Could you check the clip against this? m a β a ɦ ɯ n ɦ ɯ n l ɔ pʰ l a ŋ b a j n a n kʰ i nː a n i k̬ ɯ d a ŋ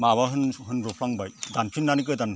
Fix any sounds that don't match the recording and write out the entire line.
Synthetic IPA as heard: m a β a ɦ ɯ n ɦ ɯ n ɾ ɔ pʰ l a ŋ b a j d a n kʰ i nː a n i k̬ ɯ d a n